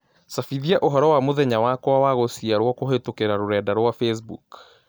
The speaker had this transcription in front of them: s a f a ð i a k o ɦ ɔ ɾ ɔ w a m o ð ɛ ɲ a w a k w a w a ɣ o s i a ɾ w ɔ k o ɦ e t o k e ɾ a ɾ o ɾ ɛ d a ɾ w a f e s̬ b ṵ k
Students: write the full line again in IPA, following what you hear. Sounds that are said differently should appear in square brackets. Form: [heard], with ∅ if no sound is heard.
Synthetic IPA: s a f [i] ð i a [ʔ] o ɦ ɔ ɾ ɔ w a m o ð ɛ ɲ a w a k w a w a ɣ o s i a ɾ w ɔ k o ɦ e t o k e ɾ a ɾ o ɾ ɛ d a ɾ w a f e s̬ b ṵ k